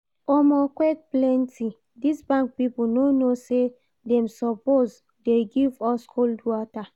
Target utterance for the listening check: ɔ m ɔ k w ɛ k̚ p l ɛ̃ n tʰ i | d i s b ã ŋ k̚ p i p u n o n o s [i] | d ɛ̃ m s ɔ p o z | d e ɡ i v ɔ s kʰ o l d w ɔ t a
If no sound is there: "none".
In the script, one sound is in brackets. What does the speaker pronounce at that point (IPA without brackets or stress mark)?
e